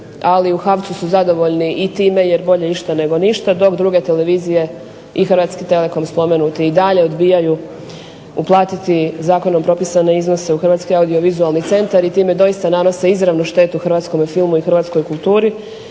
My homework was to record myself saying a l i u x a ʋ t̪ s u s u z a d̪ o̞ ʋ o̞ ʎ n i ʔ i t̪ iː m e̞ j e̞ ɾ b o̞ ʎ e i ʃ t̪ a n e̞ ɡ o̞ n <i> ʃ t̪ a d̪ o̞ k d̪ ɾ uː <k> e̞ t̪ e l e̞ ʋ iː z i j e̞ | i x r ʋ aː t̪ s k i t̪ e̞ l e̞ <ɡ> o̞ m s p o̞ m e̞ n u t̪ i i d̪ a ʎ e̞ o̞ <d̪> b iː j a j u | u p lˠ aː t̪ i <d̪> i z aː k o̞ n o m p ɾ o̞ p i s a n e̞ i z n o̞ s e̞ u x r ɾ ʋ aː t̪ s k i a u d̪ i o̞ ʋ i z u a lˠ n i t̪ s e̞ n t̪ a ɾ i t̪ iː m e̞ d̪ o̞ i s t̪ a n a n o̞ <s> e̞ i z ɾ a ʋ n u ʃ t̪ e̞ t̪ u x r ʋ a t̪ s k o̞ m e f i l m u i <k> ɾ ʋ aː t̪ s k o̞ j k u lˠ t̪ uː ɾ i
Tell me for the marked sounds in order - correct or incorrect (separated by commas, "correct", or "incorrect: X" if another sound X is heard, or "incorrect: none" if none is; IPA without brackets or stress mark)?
correct, incorrect: ɡ, incorrect: k, correct, incorrect: t̪, correct, incorrect: x